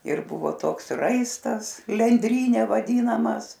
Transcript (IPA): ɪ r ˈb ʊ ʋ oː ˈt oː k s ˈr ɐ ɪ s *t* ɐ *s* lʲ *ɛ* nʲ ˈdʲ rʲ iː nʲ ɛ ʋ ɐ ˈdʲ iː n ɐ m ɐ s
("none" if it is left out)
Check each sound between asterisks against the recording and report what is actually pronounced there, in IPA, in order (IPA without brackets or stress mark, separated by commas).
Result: t, s, ɛ